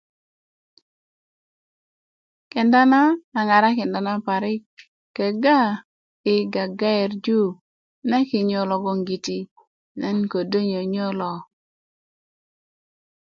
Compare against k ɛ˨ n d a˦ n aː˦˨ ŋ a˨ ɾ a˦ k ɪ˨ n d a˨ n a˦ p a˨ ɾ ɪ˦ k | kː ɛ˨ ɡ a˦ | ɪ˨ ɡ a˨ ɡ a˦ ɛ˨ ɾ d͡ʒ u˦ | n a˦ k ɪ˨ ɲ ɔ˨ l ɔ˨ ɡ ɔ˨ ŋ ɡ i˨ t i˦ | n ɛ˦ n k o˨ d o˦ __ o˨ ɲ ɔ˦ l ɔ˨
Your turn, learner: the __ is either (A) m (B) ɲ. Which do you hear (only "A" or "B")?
B